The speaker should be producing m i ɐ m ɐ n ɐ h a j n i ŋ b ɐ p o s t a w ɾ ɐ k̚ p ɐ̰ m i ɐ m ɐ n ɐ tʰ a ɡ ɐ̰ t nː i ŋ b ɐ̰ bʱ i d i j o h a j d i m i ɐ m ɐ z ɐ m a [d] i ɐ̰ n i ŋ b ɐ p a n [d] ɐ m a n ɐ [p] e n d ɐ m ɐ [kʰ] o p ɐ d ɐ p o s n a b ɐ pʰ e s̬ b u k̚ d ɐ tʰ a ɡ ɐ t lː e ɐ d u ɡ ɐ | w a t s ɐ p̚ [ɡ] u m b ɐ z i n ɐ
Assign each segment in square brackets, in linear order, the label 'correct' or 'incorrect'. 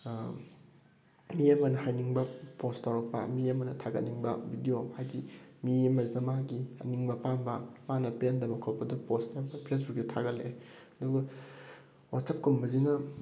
incorrect: ɡ, incorrect: b, correct, correct, incorrect: k

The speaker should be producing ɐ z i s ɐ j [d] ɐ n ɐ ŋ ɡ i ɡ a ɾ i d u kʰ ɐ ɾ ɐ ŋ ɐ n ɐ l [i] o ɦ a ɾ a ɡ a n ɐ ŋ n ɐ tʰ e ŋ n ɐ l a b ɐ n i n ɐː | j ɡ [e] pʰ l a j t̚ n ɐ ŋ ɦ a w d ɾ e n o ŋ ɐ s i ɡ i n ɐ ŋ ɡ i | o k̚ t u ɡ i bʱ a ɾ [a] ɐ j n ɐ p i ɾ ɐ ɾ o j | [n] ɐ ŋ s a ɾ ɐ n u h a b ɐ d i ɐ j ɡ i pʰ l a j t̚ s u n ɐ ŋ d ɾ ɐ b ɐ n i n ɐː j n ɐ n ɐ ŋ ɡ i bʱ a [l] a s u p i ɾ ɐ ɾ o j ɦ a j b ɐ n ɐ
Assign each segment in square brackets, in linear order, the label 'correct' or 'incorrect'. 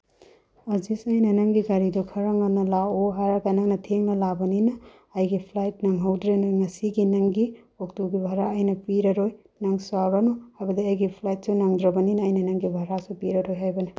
incorrect: n, incorrect: a, incorrect: i, correct, correct, incorrect: ɾ

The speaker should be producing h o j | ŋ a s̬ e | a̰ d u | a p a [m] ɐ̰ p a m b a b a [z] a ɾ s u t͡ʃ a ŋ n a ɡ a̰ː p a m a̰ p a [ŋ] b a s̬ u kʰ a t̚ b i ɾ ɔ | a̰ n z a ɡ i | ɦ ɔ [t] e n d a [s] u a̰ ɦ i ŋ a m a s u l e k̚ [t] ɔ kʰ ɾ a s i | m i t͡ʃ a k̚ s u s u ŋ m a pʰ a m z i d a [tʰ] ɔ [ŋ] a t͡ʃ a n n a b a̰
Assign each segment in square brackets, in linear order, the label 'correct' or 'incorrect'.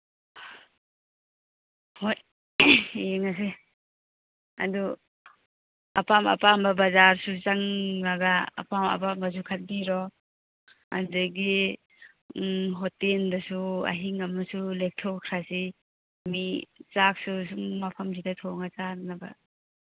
correct, correct, incorrect: m, correct, correct, incorrect: tʰ, correct, correct

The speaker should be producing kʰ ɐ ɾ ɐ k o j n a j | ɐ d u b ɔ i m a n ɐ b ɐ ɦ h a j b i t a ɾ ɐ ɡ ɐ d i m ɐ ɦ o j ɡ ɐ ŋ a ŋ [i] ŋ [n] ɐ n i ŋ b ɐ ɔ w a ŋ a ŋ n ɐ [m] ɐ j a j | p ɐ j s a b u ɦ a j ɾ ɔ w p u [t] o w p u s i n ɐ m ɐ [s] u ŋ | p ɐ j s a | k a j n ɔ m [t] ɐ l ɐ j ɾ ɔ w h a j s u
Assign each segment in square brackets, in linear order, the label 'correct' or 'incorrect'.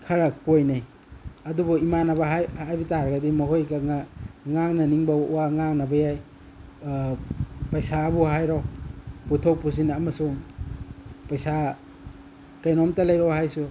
incorrect: a, correct, incorrect: b, incorrect: tʰ, correct, correct

